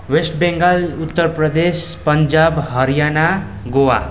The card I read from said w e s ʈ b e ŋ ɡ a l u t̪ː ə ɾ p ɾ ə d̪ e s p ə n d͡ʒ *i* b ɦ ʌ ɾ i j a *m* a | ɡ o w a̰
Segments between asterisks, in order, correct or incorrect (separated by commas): incorrect, incorrect